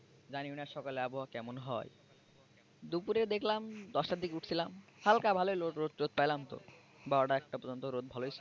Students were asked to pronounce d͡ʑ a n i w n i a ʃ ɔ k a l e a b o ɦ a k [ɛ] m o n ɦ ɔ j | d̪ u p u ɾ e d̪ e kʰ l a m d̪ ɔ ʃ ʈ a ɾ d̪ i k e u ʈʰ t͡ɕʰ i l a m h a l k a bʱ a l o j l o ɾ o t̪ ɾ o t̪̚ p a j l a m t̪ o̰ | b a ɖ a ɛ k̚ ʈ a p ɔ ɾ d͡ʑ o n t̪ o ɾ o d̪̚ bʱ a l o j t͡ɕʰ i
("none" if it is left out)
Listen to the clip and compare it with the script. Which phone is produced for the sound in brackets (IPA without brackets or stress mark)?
ɛ